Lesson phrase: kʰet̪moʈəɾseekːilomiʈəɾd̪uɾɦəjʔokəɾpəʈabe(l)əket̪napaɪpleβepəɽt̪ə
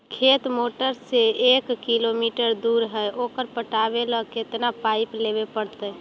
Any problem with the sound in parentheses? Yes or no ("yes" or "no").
no